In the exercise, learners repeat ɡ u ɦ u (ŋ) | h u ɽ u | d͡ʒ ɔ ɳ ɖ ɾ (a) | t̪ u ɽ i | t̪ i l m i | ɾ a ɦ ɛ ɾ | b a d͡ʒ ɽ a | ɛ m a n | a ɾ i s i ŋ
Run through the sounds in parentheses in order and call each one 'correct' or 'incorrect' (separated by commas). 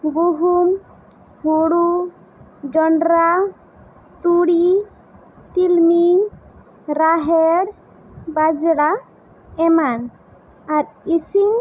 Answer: incorrect, correct